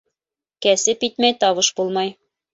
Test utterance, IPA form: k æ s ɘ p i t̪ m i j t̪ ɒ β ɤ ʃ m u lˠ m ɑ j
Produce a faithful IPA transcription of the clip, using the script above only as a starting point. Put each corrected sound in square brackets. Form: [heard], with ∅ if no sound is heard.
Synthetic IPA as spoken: k æ s ɘ p i t̪ m [æ] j t̪ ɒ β ɤ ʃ [b] u lˠ m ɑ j